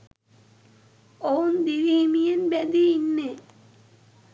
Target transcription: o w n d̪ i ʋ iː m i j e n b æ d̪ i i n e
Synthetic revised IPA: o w n d̪ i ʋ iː m i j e n b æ d̪ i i nː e